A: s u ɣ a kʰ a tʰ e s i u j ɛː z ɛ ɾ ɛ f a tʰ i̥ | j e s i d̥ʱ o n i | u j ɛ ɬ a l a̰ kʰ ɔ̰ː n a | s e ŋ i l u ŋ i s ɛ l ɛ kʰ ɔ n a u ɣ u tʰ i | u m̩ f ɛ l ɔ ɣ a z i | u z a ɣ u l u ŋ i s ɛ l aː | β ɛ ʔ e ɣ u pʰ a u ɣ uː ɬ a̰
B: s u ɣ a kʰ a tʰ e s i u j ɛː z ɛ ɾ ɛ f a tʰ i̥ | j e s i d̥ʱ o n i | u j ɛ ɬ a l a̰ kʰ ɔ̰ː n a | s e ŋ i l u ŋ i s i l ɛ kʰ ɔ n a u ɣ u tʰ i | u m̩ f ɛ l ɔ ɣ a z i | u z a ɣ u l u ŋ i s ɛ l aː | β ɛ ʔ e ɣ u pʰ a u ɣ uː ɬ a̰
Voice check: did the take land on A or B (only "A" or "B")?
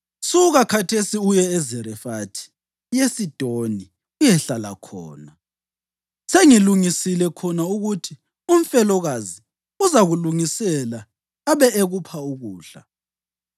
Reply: B